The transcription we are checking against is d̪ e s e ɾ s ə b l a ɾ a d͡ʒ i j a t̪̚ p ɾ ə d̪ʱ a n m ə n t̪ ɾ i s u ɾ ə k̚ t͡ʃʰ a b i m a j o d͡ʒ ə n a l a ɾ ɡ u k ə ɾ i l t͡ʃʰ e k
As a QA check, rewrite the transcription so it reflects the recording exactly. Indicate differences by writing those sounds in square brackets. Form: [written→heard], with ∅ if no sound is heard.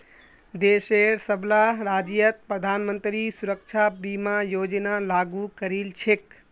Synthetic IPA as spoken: d̪ e s e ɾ s ə b l a ɾ a d͡ʒ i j [a→ə] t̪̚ p ɾ ə d̪ʱ a n m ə n t̪ ɾ i s u ɾ ə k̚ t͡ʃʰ a b i m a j o d͡ʒ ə n a l a [ɾ→∅] ɡ u k ə ɾ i l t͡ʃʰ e k